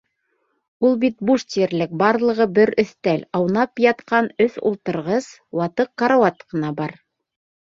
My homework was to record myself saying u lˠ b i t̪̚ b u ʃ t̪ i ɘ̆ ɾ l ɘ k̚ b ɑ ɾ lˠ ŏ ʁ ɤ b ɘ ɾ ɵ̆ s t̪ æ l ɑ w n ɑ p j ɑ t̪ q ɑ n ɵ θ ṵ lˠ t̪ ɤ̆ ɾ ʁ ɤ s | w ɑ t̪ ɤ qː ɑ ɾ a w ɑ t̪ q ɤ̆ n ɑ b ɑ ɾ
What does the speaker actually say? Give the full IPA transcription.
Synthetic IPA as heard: u lˠ b i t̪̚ b u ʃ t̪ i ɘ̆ ɾ l ɘ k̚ b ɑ ɾ lˠ ɤ̆ ʁ ɤ b ɘ ɾ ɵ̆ θ t̪ æ l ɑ w n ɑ p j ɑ t̪ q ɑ n ɵ θ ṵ lˠ t̪ ɤ̆ ɾ ʁ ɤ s | w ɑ t̪ ɤ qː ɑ ɾ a w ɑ t̪ q ɤ̆ n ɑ b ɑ ɾ